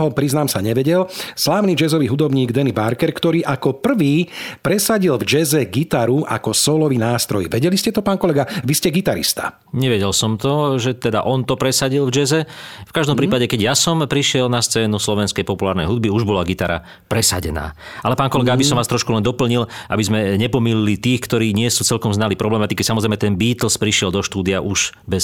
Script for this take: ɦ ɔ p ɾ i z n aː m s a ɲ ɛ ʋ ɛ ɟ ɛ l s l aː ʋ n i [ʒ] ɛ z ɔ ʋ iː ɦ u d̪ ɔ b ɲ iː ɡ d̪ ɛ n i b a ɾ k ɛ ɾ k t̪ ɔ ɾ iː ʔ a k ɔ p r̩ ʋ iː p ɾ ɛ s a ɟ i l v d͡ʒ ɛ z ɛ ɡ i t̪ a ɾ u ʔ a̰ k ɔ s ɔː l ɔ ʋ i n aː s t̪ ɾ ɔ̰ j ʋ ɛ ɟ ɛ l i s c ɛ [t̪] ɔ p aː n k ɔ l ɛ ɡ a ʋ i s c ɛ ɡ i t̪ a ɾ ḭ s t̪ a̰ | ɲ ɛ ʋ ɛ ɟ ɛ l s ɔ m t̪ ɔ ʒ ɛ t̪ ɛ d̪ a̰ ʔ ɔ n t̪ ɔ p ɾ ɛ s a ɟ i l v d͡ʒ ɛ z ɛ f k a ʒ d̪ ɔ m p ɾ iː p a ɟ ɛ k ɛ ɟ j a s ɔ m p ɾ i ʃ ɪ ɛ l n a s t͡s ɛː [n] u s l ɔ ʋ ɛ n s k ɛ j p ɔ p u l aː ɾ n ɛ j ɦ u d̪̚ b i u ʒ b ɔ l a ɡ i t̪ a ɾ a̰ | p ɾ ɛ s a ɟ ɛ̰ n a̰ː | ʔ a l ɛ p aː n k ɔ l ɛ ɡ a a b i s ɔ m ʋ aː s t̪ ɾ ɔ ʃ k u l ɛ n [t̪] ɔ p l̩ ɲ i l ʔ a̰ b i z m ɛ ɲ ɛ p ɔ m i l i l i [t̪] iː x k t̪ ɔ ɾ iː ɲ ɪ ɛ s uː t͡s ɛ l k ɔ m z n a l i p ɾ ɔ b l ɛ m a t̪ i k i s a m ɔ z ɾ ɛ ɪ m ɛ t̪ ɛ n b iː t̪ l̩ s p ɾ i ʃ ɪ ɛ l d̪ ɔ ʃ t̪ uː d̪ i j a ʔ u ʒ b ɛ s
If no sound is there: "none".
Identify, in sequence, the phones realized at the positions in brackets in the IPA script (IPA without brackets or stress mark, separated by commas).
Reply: d͡ʒ, t̪, n, d̪, t̪